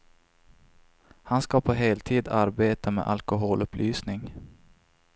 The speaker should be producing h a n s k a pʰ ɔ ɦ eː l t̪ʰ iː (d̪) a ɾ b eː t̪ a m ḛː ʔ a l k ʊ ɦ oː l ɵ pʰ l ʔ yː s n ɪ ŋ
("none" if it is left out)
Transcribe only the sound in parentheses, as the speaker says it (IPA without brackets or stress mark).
d̪